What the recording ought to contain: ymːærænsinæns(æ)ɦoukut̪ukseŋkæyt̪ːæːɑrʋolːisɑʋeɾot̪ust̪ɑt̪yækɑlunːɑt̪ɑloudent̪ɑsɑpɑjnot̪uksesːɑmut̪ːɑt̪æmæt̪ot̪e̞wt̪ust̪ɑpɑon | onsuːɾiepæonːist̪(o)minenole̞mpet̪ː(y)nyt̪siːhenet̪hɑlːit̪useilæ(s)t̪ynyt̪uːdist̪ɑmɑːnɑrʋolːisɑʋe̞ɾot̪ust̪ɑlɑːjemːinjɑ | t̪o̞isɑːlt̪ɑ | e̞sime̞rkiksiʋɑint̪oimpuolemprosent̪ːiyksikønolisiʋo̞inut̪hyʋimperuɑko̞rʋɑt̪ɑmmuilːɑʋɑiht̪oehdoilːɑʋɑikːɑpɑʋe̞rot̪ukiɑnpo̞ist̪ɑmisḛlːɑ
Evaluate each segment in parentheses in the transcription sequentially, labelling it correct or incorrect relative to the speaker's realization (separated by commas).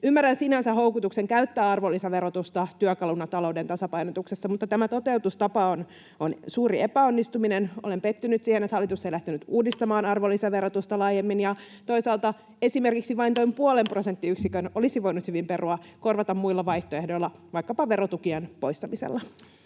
correct, incorrect, correct, incorrect